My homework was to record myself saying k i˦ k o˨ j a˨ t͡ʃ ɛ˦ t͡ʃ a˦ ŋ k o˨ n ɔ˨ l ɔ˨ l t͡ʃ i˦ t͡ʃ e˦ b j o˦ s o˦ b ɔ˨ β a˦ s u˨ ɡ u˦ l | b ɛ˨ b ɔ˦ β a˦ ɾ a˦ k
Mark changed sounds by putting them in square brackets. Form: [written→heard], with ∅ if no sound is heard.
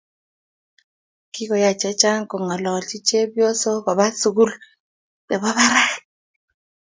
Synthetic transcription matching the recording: k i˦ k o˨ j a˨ t͡ʃ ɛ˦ t͡ʃ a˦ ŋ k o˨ [n→ŋ] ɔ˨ l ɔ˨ l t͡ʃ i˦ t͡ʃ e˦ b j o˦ s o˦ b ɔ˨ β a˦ s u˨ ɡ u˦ l | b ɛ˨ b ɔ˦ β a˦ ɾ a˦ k